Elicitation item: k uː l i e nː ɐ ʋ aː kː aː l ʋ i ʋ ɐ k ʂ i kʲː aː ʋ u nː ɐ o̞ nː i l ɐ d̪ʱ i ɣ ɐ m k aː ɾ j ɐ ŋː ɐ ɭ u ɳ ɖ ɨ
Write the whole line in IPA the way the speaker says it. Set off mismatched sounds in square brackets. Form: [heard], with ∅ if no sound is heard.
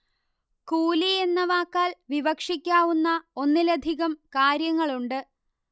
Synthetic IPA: k uː l i e nː ɐ ʋ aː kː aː l ʋ i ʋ ɐ k ʂ i kʲː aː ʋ u nː ɐ o̞ nː i l ɐ d̪ʱ i ɣ ɐ m k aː ɾ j ɐ ŋː ɐ ɭ u ɳ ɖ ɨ